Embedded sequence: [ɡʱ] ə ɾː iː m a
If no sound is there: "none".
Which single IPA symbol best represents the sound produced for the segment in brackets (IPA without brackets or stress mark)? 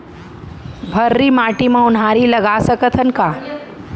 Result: bʱ